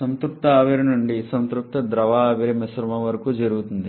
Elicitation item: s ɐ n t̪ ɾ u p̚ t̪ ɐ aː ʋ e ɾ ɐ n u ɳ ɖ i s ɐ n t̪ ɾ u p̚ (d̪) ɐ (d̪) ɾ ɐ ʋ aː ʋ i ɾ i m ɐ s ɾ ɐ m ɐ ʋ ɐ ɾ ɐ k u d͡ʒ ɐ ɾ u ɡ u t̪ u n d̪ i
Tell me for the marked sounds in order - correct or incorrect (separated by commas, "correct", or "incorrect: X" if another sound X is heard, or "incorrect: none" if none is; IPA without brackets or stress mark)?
incorrect: t̪, correct